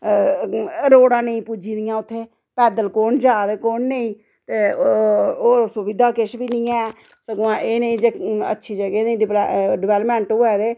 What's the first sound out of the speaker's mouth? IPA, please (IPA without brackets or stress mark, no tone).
ɾ